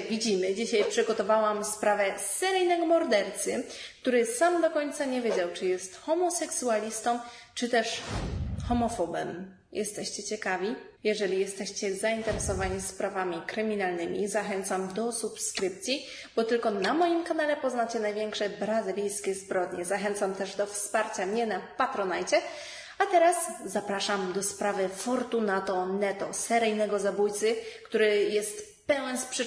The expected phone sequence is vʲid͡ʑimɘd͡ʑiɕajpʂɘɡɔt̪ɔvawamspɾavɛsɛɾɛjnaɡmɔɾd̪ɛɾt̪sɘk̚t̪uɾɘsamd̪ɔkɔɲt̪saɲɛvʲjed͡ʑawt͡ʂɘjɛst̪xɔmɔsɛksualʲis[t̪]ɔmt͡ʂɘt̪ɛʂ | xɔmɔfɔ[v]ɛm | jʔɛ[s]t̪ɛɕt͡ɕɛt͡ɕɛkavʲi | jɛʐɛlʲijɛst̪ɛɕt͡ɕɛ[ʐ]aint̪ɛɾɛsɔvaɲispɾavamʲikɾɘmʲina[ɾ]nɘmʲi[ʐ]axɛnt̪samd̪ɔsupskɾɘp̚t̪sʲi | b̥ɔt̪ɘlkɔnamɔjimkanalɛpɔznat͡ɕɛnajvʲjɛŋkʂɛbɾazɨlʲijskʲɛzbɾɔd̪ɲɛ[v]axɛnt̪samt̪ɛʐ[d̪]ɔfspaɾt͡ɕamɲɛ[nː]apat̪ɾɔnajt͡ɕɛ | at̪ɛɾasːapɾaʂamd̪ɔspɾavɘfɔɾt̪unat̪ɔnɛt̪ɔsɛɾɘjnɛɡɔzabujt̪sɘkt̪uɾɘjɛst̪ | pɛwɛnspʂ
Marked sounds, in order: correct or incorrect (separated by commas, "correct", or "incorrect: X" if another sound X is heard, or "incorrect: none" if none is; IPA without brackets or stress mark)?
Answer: correct, incorrect: b, correct, incorrect: z, incorrect: l, incorrect: z, incorrect: z, correct, incorrect: n